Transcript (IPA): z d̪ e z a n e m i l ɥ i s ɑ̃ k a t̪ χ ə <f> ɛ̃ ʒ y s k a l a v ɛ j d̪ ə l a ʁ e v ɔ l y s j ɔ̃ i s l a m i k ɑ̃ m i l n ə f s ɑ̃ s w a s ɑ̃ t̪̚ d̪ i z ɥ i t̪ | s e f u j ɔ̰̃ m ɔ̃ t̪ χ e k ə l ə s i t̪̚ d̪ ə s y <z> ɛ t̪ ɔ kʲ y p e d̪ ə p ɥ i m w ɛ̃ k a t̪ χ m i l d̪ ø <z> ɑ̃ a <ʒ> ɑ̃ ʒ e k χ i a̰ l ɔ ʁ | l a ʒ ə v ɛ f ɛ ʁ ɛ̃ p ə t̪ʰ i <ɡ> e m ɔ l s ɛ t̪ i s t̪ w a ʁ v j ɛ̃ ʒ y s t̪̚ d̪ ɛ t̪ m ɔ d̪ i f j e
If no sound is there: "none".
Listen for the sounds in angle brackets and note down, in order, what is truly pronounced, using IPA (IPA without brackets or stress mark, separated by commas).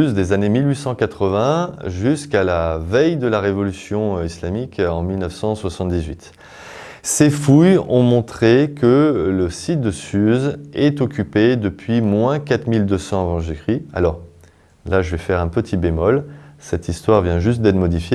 v, z, s, v, b